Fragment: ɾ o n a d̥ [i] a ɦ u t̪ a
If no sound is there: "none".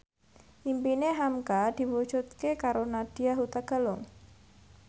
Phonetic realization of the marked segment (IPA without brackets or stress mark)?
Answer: i